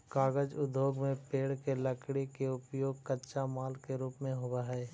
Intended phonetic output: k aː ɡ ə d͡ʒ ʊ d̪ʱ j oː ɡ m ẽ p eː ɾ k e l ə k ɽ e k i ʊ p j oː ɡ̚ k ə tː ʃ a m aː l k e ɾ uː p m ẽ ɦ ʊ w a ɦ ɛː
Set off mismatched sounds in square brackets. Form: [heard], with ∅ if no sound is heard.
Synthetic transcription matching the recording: k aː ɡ ə d͡ʒ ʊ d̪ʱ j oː ɡ m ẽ p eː [ɽ] k e l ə k ɽ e k [e] ʊ p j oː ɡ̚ k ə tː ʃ a m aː l k e ɾ uː p m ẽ ɦ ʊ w a ɦ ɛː